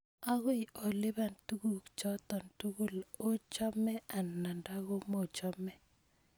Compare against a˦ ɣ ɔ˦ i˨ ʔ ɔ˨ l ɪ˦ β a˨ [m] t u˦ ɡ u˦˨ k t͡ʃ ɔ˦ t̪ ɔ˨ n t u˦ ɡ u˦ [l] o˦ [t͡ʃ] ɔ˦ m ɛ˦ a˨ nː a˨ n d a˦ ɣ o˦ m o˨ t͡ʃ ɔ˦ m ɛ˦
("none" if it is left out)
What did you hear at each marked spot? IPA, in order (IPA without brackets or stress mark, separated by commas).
n, l, t͡ʃ